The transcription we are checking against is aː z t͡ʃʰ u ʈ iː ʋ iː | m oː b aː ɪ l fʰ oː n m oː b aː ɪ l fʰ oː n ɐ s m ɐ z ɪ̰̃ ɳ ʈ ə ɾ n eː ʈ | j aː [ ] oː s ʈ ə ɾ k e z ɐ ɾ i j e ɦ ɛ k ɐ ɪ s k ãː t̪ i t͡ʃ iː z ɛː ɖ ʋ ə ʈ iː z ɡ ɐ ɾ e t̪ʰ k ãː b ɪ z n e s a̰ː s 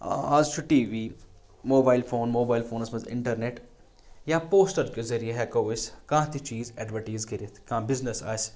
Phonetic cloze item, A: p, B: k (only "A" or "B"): A